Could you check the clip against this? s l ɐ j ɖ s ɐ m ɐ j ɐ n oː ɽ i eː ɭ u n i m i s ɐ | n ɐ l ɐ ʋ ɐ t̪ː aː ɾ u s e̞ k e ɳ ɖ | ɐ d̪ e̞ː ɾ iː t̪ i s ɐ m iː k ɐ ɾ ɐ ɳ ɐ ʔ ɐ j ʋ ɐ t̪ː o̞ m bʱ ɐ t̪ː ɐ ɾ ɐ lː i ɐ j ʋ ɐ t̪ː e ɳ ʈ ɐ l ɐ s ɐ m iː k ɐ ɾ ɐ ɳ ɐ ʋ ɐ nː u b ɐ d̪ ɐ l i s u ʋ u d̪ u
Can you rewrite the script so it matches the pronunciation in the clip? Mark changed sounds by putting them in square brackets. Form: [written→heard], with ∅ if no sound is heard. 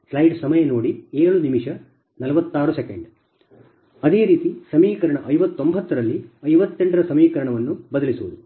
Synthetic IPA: s l ɐ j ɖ s ɐ m ɐ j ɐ n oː ɽ i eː ɭ u n i m i [s→ʂ] ɐ | n ɐ l ɐ ʋ ɐ t̪ː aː ɾ u s e̞ k e ɳ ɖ | ɐ d̪ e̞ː ɾ iː t̪ i s ɐ m iː k ɐ ɾ ɐ ɳ ɐ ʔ ɐ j ʋ ɐ t̪ː o̞ m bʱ ɐ t̪ː ɐ ɾ ɐ lː i ɐ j ʋ ɐ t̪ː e ɳ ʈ ɐ [l→ɾ] ɐ s ɐ m iː k ɐ ɾ ɐ ɳ ɐ ʋ ɐ nː u b ɐ d̪ ɐ l i s u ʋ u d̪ u